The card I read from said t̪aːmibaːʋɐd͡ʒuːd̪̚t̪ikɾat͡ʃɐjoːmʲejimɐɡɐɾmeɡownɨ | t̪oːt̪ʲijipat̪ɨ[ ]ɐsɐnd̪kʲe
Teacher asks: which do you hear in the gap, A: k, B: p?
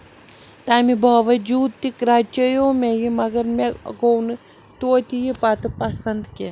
B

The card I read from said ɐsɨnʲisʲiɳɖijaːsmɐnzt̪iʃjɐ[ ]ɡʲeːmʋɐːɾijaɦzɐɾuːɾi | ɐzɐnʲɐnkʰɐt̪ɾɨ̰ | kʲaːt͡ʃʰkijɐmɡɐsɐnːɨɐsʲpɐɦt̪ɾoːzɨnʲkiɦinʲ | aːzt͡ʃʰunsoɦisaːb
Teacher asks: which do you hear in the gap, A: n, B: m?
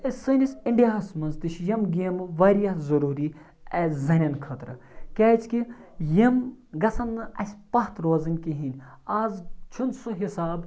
B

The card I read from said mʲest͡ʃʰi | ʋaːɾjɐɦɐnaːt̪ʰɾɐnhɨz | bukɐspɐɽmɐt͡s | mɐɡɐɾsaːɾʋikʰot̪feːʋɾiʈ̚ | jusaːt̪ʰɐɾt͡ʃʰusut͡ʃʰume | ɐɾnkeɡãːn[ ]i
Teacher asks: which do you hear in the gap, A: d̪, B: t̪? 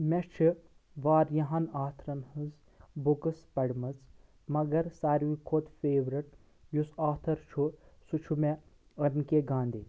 A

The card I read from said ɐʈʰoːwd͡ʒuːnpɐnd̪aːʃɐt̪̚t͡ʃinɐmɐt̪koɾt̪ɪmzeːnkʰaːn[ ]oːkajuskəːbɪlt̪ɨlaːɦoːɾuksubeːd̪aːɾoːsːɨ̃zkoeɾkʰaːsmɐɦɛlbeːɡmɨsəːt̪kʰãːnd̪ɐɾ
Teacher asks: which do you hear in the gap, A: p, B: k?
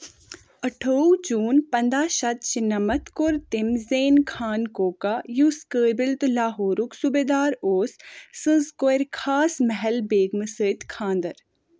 B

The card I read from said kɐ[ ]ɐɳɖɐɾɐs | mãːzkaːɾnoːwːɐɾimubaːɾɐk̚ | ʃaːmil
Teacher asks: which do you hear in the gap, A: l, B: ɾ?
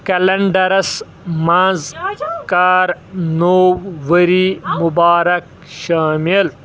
A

